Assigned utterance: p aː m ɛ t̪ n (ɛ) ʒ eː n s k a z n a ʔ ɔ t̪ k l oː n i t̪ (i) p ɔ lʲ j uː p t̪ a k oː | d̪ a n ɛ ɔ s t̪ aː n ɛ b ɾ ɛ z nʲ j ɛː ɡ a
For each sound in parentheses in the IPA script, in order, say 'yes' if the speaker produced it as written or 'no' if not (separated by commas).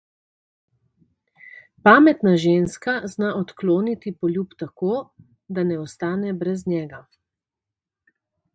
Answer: no, yes